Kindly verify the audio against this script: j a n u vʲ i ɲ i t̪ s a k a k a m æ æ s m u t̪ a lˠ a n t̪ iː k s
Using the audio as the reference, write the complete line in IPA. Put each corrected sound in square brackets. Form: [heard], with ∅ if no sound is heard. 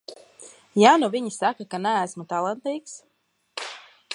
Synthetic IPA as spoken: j a n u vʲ i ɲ i [∅] s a k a k a [n] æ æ s m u t̪ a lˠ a n t̪ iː k s